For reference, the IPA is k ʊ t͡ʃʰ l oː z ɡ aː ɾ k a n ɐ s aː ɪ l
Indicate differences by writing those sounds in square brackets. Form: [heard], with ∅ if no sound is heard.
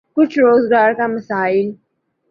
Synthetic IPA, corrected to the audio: k ʊ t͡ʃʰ [ɾ] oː z ɡ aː ɾ k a [m] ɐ s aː ɪ l